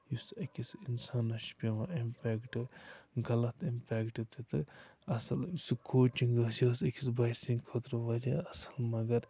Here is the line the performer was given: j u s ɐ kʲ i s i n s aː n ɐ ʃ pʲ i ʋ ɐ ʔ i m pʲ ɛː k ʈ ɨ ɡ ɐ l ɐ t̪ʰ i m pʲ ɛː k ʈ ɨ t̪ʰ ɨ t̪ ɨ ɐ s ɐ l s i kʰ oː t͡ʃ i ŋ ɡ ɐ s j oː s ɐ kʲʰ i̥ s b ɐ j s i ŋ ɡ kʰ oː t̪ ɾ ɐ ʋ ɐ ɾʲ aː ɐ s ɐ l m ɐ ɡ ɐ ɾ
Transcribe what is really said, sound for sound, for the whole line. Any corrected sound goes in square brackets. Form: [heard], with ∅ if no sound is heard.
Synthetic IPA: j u s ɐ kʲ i s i n s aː n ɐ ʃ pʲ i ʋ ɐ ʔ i m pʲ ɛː k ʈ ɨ ɡ ɐ l ɐ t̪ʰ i m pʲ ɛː k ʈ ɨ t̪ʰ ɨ t̪ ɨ ɐ s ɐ l s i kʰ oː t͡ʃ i ŋ ɡ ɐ s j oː s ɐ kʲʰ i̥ s b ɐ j s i ŋ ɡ kʰ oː t̪ ɾ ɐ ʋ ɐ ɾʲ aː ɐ s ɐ l m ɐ ɡ ɐ ɾ

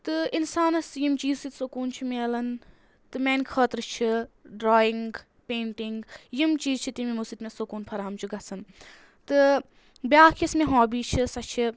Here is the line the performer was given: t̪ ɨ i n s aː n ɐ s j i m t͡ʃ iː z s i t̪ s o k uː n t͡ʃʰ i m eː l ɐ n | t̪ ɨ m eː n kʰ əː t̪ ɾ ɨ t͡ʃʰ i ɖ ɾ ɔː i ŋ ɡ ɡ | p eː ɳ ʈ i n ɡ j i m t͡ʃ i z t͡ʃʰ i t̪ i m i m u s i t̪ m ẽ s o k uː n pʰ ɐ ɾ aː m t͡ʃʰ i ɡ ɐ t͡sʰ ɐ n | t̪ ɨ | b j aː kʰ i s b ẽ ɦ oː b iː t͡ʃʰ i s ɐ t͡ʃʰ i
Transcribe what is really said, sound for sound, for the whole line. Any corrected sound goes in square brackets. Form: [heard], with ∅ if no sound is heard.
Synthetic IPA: t̪ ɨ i n s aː n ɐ s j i m t͡ʃ iː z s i t̪ s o k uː n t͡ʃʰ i m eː l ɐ n | t̪ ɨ m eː n kʰ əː t̪ ɾ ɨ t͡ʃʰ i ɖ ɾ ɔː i ŋ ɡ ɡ | p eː ɳ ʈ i [ŋ] ɡ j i m t͡ʃ [iː] z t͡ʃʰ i t̪ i m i m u s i t̪ m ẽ s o k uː n pʰ ɐ ɾ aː m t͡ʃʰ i ɡ ɐ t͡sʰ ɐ n | t̪ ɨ | b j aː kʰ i s [m] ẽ ɦ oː b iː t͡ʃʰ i s ɐ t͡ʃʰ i

